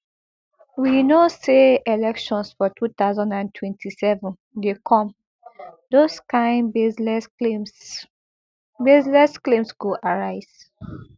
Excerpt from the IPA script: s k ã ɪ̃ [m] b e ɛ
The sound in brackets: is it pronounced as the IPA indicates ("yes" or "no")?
no